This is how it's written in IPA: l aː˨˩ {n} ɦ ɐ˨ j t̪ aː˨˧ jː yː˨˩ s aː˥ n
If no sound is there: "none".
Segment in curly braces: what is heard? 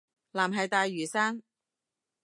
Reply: m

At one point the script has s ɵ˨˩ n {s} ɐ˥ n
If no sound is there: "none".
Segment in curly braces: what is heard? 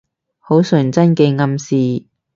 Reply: t͡s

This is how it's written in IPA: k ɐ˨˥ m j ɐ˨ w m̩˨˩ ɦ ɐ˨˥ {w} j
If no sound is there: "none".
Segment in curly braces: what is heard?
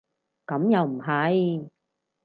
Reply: none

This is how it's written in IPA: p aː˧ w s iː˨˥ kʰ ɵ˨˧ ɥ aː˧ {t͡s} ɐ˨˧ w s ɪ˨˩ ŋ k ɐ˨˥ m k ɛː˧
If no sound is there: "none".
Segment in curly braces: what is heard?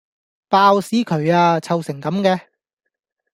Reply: t͡sʰ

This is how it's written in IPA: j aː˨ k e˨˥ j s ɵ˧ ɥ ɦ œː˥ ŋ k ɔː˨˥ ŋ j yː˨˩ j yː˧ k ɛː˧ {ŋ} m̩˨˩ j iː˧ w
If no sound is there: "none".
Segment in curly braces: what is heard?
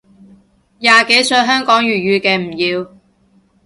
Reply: none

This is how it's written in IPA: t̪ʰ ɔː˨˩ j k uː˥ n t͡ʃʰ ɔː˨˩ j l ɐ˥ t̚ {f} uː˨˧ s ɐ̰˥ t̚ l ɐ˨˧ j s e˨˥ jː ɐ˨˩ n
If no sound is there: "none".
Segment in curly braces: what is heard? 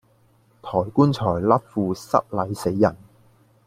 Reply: f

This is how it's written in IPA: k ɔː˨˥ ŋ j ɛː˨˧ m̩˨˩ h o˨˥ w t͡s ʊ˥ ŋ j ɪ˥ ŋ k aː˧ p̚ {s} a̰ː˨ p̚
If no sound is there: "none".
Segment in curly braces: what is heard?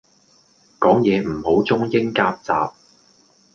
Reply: t͡s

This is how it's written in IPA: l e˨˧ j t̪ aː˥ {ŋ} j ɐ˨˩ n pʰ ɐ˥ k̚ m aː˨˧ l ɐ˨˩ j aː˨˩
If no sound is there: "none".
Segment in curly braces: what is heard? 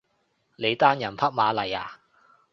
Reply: n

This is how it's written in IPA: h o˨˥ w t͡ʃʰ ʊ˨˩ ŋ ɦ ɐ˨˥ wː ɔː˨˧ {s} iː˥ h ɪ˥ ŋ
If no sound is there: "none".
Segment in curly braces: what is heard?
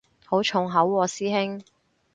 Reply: s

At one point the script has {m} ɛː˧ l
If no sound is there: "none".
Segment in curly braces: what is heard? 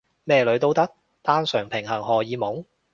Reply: m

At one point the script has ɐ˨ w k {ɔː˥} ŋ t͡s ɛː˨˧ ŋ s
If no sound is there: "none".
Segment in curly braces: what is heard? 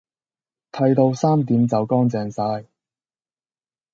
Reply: ɔː˥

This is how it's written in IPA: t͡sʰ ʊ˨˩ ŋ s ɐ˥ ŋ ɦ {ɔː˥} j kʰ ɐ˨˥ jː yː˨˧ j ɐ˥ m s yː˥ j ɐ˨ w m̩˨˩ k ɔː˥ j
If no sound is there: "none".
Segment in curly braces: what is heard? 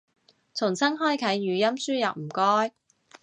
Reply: ɔː˥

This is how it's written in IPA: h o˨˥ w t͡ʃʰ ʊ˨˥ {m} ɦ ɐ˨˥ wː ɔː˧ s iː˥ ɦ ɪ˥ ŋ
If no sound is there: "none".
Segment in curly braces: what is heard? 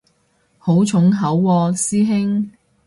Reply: ŋ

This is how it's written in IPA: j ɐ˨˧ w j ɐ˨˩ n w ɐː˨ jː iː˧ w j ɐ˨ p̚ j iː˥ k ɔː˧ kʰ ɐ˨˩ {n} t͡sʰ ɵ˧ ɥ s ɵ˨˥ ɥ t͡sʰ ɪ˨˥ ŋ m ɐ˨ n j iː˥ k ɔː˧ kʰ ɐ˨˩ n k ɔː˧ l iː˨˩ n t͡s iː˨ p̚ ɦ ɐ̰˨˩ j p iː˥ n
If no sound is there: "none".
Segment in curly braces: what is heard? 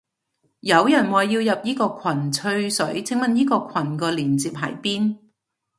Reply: n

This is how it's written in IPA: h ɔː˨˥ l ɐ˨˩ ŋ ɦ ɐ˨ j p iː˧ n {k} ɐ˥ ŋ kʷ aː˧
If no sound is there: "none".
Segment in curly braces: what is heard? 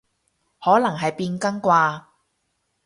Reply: k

